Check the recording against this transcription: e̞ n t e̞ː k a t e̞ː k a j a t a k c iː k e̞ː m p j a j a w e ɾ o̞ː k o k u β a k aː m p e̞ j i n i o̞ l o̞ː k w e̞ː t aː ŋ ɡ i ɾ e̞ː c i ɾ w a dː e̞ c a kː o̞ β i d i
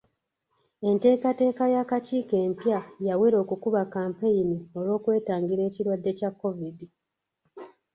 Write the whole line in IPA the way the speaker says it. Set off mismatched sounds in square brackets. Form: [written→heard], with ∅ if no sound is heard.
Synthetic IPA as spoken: e̞ n t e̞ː k a t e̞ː k a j a [t→k] a [k→∅] c iː k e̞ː m p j a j a w e ɾ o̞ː k [o→u] k u β a k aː m p e̞ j i n i o̞ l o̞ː k w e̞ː t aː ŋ ɡ i ɾ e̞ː c i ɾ w a dː e̞ c a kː o̞ [β→v] i d i